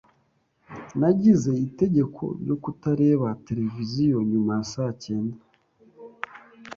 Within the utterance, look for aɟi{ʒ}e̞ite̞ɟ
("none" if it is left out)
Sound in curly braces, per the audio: z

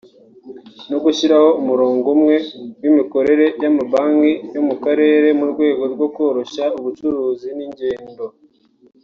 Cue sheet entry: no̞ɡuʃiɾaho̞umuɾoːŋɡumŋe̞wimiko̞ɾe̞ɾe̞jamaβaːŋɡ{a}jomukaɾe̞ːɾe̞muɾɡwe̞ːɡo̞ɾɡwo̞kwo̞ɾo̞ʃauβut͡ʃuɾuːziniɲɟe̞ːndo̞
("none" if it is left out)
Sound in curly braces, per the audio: i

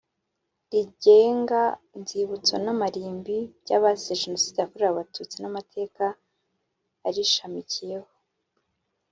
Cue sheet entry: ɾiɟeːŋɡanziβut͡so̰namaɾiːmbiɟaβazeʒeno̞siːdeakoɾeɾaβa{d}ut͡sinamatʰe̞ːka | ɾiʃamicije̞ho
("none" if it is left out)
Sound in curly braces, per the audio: t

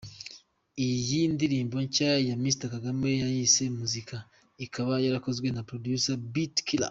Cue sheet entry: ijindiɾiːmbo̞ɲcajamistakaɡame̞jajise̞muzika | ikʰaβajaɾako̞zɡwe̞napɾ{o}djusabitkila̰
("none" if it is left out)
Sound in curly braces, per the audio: o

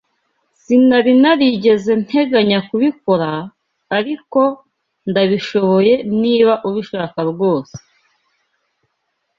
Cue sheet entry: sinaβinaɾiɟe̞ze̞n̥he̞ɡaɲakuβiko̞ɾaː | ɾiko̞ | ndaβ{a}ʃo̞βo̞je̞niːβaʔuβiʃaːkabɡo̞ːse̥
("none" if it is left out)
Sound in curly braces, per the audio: i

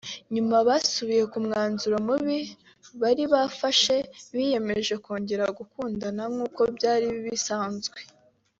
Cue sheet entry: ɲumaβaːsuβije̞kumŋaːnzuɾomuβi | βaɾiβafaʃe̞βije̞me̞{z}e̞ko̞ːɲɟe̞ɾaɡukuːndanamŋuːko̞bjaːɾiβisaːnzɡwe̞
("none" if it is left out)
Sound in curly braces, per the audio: ʒ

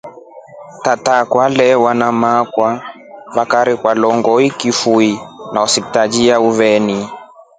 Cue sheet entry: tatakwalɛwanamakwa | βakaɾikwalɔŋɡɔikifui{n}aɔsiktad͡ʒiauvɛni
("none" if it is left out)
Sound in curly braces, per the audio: n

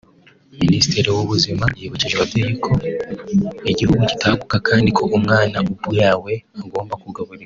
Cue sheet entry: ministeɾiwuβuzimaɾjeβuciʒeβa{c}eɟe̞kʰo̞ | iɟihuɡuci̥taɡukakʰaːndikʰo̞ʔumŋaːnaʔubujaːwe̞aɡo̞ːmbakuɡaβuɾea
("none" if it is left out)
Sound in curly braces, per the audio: t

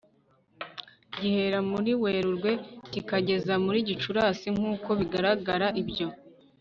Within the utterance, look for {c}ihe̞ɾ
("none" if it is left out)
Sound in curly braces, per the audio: ɟ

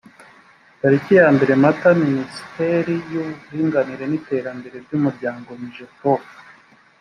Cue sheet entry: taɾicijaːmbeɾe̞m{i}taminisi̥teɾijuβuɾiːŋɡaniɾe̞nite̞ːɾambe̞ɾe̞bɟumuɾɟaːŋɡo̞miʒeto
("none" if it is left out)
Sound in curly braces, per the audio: a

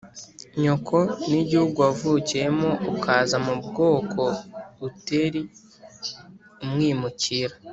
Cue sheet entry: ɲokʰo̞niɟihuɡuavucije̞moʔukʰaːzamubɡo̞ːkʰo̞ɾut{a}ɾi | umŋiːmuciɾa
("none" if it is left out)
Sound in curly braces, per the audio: e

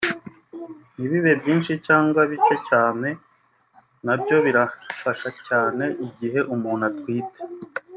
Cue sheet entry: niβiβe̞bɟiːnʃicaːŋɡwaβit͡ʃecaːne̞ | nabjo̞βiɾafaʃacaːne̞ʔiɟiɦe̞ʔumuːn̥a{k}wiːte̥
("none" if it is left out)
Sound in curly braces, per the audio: t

